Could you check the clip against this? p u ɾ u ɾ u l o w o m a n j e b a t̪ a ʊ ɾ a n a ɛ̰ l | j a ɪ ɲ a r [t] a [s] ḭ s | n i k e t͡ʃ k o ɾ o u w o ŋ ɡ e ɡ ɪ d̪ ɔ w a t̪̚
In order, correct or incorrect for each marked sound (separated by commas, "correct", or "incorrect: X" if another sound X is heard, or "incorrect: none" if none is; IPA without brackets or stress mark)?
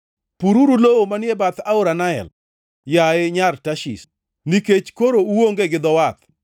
correct, incorrect: ʃ